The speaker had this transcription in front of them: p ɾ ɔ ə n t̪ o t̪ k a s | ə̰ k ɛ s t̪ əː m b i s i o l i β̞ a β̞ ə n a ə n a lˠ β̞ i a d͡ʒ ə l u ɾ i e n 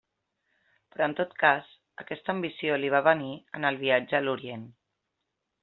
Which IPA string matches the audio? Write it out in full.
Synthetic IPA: p ɾ ɔ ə n t̪ o t̪ k a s | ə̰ k ɛ s t̪ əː m b i s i o l i β̞ a β̞ ə n i ə n ə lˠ β̞ i a d͡ʒ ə l u ɾ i e n